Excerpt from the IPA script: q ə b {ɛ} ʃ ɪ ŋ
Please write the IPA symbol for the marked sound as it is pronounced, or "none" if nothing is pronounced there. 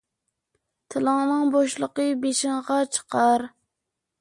e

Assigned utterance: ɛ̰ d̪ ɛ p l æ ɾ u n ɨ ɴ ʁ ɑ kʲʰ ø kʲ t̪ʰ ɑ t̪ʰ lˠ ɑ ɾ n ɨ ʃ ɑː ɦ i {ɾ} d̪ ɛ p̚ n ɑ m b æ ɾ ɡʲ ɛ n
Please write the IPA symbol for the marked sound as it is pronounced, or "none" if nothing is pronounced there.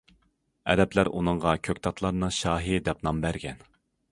none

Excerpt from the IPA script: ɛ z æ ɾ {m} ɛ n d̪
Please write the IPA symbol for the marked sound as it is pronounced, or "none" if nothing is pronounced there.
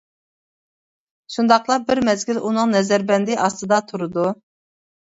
b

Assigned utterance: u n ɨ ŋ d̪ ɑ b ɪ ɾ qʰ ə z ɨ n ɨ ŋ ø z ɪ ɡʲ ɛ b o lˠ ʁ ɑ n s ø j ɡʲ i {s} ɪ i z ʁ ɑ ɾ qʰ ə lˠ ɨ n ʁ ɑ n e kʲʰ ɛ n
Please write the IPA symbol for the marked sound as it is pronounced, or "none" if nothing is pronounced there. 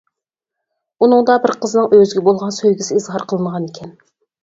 s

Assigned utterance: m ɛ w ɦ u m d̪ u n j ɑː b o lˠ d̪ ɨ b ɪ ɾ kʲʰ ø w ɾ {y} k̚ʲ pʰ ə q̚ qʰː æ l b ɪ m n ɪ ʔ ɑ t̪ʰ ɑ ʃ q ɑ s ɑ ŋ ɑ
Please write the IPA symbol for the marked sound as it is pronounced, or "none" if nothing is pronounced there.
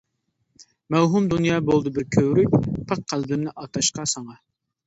y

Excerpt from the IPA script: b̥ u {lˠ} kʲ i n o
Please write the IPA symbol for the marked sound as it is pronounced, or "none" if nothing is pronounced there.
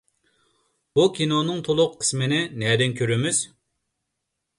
none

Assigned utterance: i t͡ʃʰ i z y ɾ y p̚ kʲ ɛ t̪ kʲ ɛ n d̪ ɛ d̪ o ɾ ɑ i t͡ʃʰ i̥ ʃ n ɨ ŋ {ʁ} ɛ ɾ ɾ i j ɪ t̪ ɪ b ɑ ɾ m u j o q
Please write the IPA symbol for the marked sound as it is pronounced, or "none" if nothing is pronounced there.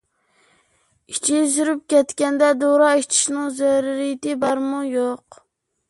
z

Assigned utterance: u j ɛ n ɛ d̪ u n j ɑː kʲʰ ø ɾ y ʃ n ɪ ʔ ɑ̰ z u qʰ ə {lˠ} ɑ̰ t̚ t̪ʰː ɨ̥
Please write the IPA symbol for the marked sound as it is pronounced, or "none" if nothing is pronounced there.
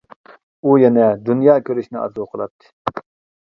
lˠ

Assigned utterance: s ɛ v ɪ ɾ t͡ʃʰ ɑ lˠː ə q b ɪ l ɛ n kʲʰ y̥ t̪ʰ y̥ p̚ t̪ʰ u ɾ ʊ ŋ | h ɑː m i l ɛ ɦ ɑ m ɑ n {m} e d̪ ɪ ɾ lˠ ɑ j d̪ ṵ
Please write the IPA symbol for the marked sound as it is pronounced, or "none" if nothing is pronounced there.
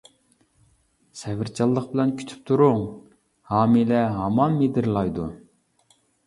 m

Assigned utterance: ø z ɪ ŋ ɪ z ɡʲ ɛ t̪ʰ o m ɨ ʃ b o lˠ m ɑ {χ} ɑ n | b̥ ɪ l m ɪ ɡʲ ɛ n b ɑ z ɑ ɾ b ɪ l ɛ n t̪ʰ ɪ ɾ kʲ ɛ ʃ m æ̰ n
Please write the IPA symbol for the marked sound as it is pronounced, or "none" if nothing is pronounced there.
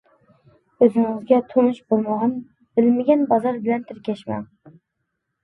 ʁ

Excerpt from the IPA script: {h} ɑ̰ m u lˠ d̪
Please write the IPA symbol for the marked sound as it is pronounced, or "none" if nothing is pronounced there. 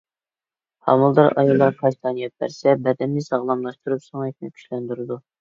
h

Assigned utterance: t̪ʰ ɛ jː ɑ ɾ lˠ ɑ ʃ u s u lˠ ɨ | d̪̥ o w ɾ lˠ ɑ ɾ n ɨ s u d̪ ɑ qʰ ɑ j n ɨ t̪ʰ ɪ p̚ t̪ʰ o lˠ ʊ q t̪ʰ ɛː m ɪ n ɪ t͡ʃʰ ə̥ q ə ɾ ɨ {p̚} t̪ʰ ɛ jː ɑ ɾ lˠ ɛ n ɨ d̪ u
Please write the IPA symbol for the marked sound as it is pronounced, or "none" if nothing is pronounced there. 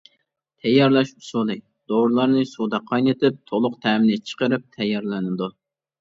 p̚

